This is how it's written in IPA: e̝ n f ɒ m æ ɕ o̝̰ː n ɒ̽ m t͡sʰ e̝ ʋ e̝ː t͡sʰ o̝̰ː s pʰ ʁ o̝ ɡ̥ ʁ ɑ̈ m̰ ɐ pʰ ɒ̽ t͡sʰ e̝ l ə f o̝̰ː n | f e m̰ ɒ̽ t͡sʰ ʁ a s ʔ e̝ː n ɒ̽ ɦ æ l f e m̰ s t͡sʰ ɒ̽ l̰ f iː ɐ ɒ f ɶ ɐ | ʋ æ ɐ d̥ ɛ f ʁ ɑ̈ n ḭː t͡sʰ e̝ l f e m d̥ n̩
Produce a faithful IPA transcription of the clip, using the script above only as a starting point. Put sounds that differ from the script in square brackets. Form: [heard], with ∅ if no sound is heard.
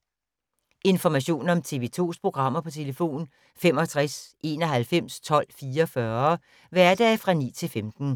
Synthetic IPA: e̝ n f ɒ m æ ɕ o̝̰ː n ɒ̽ m t͡sʰ e̝ ʋ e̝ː t͡sʰ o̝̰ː s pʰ ʁ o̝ ɡ̥ ʁ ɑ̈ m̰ ɐ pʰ ɒ̽ t͡sʰ e̝ l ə f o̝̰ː n | f e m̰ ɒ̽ t͡sʰ ʁ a s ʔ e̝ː n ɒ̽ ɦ æ l f e m̰ s t͡sʰ ɒ̽ l̰ f iː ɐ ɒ f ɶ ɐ | ʋ æ ɐ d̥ ɛ f ʁ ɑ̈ n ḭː t͡sʰ e̝ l f e m d̥ n̩